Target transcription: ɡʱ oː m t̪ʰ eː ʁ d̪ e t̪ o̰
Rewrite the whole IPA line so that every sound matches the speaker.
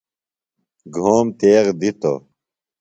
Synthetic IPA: ɡʱ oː m t̪ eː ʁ d̪ i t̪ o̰